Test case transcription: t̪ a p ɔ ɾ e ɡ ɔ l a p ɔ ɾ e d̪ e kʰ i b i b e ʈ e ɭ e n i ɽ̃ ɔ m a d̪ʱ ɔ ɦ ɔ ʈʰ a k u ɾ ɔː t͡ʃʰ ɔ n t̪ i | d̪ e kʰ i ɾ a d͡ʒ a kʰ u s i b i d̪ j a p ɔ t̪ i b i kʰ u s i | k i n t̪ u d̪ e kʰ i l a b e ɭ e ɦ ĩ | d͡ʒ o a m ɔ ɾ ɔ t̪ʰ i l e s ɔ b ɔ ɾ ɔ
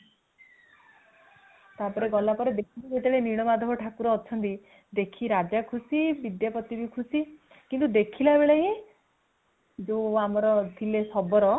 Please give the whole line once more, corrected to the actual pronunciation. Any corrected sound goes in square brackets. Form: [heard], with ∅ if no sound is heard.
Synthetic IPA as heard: t̪ a p ɔ ɾ e ɡ ɔ l a p ɔ ɾ e d̪ e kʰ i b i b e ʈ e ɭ e n i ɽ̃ ɔ m a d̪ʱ ɔ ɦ ɔ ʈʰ a k u ɾ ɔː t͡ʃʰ ɔ n t̪ i | d̪ e kʰ i ɾ a d͡ʒ a kʰ u s i b i d̪ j a p ɔ t̪ i b i kʰ u s i | k i n t̪ u d̪ e kʰ i l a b e ɭ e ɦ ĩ | d͡ʒ o a m ɔ ɾ ɔ t̪ʰ i l e s ɔ b ɔ ɾ ɔ